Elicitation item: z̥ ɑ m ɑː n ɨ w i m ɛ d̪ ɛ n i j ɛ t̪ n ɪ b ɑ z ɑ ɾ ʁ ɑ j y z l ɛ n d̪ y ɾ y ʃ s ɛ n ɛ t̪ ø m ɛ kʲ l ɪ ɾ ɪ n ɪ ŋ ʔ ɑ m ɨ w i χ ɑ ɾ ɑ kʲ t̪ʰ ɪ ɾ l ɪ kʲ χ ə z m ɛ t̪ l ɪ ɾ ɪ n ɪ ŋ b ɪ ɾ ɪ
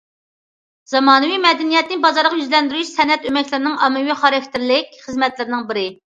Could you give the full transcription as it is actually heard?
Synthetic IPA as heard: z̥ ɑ m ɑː n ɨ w i m ɛ d̪ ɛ n i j ɛ t̪ n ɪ b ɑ z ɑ ɾ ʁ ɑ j y z l ɛ n d̪ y ɾ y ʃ s ɛ n ɛ t̪ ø m ɛ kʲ l ɪ ɾ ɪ n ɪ ŋ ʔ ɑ m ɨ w i χ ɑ ɾ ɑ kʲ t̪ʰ ɪ ɾ l ɪ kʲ χ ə z m ɛ t̪ l ɪ ɾ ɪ n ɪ ŋ b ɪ ɾ ɪ